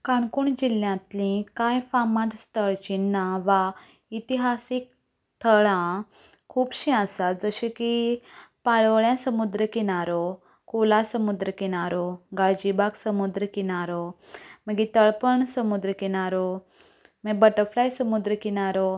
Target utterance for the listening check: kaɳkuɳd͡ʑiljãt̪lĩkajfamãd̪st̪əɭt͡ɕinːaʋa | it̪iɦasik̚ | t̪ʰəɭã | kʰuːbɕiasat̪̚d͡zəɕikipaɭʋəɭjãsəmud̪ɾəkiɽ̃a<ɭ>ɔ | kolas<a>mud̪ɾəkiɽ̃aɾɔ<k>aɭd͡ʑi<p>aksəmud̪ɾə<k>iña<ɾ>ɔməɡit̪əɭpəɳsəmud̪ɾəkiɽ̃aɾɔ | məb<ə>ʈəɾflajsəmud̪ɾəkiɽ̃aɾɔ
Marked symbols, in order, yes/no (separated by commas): no, no, no, no, yes, yes, yes